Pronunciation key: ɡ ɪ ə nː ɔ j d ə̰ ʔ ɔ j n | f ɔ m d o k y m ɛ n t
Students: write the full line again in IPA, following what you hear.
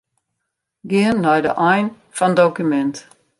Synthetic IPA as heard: ɡ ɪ ə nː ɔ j d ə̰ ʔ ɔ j n | f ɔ n d o k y m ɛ n t